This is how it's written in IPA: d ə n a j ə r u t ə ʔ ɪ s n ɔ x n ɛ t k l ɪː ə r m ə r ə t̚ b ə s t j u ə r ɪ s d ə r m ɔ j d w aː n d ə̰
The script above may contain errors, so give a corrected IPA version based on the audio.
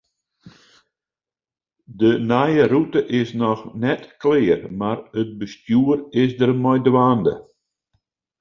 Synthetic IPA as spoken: d ə n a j ə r u t ə ʔ ɪ s n ɔ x n ɛ t k l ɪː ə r m a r ə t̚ b ə s t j u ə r ɪ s d ə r m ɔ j d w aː n d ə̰